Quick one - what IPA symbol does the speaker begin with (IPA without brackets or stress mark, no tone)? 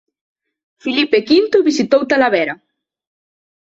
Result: f